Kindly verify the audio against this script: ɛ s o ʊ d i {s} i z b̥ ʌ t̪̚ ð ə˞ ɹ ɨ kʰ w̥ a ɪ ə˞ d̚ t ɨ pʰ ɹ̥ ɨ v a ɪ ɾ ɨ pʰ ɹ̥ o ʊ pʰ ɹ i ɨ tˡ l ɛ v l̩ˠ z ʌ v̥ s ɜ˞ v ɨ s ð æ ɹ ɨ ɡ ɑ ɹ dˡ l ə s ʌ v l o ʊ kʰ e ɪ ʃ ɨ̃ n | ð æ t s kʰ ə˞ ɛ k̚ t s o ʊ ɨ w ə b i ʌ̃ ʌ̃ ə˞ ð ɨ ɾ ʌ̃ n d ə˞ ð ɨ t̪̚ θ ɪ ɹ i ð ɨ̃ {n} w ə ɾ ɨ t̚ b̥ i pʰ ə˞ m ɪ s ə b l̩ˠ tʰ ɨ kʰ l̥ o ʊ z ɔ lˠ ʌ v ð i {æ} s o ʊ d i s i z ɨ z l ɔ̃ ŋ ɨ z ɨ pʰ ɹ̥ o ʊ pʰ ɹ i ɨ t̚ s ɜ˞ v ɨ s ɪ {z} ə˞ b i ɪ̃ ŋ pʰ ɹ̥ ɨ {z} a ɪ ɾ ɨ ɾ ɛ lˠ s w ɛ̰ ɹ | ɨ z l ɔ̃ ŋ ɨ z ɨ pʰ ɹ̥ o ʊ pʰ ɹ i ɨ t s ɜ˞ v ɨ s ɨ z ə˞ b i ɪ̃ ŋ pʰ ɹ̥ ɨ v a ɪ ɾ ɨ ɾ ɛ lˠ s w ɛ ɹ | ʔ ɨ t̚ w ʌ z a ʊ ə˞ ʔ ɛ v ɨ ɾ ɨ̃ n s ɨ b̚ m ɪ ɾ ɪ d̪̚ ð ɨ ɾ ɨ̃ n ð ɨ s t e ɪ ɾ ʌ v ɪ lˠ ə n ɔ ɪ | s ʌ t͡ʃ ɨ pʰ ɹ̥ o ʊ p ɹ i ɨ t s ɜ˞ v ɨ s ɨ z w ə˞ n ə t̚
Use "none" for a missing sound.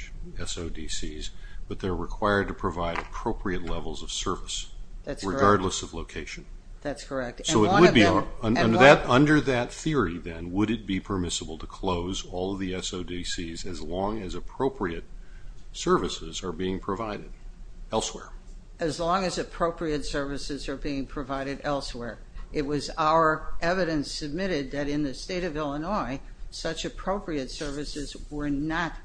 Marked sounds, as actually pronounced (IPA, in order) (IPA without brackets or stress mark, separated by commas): s, n, ɛ, z, v